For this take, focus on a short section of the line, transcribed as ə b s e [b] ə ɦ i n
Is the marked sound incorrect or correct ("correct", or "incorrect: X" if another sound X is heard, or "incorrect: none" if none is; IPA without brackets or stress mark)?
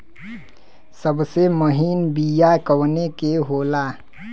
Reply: incorrect: m